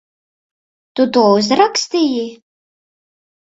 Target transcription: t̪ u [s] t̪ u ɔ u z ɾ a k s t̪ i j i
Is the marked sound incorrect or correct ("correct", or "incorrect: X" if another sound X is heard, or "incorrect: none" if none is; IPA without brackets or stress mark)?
incorrect: none